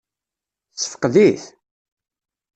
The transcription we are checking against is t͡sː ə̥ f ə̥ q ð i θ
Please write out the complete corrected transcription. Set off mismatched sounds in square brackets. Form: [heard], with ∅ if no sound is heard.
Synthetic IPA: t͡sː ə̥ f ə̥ q ð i θ